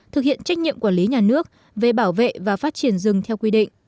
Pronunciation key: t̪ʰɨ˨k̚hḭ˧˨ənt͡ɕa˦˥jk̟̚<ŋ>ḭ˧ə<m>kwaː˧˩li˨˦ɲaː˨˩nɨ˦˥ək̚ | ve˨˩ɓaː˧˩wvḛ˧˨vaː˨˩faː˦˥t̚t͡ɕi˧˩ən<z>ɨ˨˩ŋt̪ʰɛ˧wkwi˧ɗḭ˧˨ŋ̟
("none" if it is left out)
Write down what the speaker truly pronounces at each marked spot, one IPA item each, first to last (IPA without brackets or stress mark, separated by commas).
ɲ, m, z